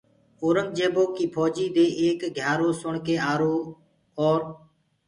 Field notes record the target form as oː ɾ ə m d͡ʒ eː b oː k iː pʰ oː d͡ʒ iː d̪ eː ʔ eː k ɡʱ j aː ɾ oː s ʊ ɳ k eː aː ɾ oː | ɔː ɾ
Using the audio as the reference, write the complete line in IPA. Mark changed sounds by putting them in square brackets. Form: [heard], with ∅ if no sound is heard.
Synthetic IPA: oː ɾ ə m d͡ʒ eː b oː k iː pʰ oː d͡ʒ iː d̪ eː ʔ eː k ɡʱ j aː ɾ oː s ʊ ɳ k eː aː ɾ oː | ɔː ɾ